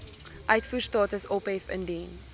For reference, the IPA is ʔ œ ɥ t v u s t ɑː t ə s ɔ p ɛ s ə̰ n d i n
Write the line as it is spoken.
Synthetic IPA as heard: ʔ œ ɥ t f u s t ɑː t ə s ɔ p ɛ f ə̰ n d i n

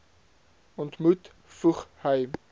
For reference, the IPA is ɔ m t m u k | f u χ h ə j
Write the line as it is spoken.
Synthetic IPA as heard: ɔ n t m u t | f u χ h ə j

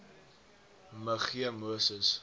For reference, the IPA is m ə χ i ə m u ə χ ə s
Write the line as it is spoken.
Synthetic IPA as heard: m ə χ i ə m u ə s ə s

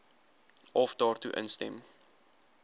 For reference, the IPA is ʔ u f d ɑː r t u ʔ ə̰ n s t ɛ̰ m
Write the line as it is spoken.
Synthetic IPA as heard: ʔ ɔ f d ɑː r t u ʔ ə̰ n s t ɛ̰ m

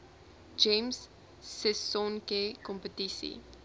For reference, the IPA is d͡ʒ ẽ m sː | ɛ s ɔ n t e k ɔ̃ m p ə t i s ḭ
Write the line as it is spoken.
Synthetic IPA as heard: d͡ʒ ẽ m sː | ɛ s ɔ n k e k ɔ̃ m p ə t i s ḭ

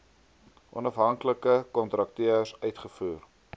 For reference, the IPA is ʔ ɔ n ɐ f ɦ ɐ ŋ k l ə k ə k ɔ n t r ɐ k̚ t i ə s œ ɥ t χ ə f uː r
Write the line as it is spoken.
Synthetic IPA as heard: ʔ ɔ n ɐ f ɦ ɐ ŋ k l ə k ə k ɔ n t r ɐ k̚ t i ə s œ ɥ t χ ə f uː r

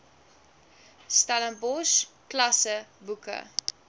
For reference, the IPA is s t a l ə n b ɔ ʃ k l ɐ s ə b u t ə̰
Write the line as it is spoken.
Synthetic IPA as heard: s t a l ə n b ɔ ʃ k l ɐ s ə b u k ə̰

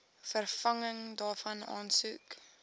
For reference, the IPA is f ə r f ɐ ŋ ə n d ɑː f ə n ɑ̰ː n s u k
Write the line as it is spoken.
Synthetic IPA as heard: f ə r f ɐ ŋ ə ŋ d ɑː f ɐ n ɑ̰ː n s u k

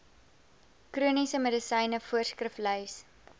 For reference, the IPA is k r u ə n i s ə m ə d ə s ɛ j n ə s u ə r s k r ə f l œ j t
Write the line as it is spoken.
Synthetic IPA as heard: k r u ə n i s ə m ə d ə s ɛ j n ə f u ə r s k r ə f l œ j s

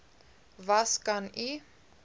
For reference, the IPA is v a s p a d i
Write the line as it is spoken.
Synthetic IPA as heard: v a s k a n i

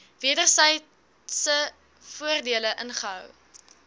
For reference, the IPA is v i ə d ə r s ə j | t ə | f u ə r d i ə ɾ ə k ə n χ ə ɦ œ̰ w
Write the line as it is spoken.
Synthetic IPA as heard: v i ə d ə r s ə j | s ə | f u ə r d i ə l ə ʔ ə n χ ə ɦ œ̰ w

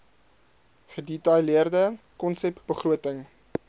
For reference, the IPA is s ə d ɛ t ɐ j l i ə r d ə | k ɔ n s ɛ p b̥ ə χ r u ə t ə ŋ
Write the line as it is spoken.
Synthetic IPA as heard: χ ə d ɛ t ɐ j l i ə r d ə | k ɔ n s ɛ p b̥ ə χ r u ə t ə ŋ

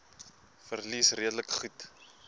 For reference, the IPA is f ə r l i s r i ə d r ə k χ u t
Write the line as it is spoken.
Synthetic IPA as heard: f ə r l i s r i ə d l ə k χ u t

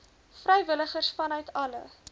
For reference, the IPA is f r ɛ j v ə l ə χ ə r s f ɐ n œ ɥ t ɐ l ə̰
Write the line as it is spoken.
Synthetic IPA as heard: f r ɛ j v ə l ə χ ə r s f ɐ n œ ɥ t ɐ l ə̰

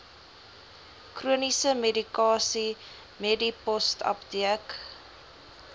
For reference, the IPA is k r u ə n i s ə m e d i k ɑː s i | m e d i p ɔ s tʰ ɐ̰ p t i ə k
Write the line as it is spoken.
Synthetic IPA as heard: k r u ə n i s ə m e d i k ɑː s i | m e d i p ɔ s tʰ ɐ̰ p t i ə k

